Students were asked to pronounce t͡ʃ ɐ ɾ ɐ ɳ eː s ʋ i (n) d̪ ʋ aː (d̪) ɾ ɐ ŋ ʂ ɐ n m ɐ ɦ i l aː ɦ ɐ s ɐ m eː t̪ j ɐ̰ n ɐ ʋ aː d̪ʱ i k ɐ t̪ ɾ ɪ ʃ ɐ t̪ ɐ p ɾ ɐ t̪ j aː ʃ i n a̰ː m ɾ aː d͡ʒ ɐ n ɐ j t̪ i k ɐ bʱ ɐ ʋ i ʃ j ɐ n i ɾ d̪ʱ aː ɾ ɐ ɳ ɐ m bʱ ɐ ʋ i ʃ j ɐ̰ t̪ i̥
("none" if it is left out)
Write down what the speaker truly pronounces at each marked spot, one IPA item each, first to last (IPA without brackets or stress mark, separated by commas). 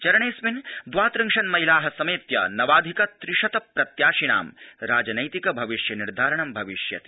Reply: n, t̪